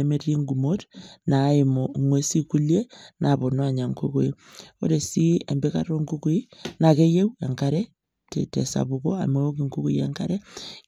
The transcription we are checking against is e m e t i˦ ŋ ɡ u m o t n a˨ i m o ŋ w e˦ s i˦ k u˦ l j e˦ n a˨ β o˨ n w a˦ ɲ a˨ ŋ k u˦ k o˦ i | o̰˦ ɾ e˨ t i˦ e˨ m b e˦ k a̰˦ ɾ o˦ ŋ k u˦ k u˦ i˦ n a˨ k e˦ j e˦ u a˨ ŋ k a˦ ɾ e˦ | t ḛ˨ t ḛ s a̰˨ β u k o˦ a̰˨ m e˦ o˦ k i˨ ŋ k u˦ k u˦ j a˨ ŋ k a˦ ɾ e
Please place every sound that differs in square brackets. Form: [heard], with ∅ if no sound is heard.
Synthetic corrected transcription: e m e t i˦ ŋ ɡ u m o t n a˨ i m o ŋ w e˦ s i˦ k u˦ l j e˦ n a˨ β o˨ n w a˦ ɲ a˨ ŋ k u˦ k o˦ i | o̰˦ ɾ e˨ [s] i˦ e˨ m b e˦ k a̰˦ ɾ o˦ ŋ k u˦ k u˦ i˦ n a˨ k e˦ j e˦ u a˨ ŋ k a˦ ɾ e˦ | t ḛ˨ t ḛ s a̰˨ β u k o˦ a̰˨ m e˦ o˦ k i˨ ŋ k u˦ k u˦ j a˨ ŋ k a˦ ɾ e